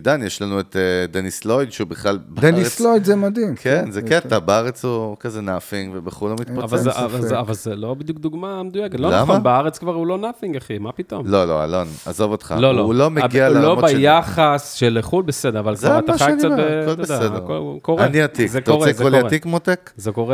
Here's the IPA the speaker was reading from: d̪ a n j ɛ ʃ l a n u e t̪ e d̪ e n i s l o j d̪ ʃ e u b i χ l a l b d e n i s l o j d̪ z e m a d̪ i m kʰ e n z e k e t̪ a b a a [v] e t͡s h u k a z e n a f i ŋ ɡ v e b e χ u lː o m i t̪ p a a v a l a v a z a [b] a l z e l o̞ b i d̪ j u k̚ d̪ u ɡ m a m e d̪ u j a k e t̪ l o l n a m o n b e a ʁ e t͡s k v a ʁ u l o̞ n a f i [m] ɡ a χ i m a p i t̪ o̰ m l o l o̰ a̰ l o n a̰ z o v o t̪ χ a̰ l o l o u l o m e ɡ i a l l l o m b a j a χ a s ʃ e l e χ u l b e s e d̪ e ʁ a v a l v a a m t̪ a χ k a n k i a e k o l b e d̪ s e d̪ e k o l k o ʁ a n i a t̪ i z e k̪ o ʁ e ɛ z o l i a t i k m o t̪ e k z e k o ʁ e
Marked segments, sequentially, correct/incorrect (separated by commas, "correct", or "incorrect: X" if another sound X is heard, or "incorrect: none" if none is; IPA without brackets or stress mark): incorrect: ʁ, incorrect: v, incorrect: ŋ